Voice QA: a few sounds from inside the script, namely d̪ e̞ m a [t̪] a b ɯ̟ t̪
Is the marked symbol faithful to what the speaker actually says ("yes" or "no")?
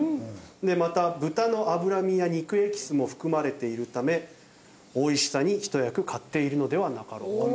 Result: yes